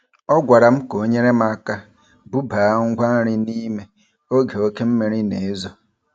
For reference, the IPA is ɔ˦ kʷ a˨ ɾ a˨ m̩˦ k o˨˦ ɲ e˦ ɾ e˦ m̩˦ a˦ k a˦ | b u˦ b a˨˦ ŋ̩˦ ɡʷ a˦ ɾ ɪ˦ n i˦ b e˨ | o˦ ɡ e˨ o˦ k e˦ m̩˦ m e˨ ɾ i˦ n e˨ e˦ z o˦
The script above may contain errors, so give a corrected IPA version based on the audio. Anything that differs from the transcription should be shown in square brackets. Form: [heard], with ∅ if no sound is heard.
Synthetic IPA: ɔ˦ [ɡʷ] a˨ ɾ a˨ m̩˦ k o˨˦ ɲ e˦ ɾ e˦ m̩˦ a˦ k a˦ | b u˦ b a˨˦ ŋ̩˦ ɡʷ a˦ ɾ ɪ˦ n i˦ [m] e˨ | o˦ ɡ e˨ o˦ k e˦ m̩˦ m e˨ ɾ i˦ n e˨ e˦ z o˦

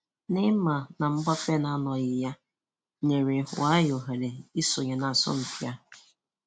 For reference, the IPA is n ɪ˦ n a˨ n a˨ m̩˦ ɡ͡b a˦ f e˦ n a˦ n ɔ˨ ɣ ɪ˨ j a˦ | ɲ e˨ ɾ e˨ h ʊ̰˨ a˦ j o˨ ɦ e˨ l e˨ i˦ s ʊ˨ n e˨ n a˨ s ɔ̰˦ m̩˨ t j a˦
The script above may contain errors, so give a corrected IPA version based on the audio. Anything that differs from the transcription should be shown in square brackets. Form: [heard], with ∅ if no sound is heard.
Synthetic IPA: n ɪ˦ [m] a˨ n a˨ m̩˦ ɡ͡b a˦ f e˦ n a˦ n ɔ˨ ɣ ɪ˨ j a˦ | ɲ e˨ ɾ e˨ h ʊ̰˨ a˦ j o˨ ɦ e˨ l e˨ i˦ s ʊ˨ [ɲ] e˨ n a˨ s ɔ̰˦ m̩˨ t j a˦

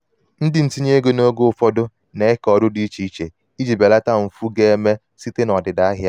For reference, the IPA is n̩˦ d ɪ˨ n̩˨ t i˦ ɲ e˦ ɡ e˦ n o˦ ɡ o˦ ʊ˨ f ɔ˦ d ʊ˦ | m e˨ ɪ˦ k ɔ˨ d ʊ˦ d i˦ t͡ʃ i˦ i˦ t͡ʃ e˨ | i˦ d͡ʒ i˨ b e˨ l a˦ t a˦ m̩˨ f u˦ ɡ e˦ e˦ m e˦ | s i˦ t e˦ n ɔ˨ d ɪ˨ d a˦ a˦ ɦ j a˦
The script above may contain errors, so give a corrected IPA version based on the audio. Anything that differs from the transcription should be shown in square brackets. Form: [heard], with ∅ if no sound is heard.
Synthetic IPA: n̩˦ d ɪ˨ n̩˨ t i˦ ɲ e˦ ɡ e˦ n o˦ ɡ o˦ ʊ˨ f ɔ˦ d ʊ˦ | [n] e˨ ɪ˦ k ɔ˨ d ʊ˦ d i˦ t͡ʃ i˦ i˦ t͡ʃ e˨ | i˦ d͡ʒ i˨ b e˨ l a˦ t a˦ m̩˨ f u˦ ɡ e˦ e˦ m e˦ | s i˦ t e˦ n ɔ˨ d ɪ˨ d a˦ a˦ ɦ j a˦

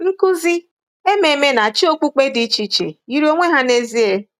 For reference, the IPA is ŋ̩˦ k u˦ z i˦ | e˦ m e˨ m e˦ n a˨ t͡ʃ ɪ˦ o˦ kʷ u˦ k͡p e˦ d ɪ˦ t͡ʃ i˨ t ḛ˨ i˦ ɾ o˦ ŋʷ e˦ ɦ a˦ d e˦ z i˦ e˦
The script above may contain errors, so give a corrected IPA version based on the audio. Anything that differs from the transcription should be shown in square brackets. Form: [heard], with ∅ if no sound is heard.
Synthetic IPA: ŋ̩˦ k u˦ z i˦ | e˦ m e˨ m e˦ n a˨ t͡ʃ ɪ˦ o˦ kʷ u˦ k͡p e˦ d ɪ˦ t͡ʃ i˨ [t͡ʃ] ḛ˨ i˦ ɾ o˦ ŋʷ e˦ ɦ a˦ [n] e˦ z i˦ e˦

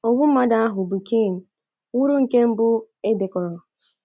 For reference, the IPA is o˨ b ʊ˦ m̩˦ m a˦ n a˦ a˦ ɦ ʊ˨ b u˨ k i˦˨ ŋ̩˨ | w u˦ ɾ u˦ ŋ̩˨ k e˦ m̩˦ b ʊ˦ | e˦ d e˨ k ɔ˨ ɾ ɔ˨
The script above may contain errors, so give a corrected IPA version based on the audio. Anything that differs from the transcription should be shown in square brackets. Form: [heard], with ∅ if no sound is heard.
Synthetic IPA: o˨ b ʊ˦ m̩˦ m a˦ [d] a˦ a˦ ɦ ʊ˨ b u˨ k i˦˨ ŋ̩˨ | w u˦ ɾ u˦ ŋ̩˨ k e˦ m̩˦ b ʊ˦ | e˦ d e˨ k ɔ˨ ɾ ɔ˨

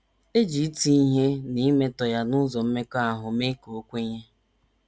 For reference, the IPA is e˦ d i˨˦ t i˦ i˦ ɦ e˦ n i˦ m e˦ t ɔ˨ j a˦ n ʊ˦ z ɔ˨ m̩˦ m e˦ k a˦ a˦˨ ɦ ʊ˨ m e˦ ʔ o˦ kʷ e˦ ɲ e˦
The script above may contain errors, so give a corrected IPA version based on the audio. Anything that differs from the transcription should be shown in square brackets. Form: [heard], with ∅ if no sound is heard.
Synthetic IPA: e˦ [d͡ʒ] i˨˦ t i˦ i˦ ɦ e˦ n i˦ m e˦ t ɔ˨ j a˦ n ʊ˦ z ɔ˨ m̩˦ m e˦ k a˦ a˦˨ ɦ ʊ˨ m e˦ [k] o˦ kʷ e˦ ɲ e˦

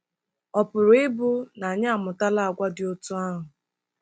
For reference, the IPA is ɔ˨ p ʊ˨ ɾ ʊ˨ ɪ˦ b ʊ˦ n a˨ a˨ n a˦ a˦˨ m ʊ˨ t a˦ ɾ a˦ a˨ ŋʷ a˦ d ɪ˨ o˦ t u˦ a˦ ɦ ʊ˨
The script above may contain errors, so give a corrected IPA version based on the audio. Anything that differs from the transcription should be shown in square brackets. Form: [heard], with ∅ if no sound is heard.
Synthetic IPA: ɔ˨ p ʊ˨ ɾ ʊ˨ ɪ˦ b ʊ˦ n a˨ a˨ [ɲ] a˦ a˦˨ m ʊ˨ t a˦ [l] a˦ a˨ [ɡʷ] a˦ d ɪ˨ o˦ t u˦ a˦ ɦ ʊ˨

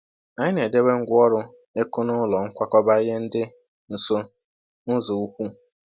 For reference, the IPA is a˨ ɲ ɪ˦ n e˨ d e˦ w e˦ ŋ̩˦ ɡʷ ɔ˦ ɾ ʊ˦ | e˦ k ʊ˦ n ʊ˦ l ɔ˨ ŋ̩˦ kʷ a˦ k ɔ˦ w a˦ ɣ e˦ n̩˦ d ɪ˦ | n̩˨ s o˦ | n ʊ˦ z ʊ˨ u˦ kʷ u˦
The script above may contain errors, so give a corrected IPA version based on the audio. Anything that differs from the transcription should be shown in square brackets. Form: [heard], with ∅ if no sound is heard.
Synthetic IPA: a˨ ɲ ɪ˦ n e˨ d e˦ w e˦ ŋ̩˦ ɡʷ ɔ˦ ɾ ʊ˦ | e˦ k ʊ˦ n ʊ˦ l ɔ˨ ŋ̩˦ kʷ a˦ k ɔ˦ [b] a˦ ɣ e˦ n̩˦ d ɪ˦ | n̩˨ s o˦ | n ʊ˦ z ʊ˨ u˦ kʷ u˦

